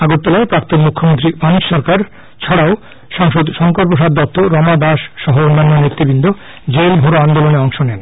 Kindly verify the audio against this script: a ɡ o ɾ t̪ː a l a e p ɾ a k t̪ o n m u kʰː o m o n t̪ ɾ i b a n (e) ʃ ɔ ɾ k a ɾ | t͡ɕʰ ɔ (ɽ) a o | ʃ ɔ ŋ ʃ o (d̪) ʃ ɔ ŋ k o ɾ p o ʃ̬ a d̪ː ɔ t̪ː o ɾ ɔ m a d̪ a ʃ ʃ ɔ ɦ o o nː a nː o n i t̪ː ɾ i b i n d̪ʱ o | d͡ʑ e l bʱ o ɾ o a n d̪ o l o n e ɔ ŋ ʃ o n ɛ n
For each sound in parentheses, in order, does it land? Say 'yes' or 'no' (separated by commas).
no, yes, yes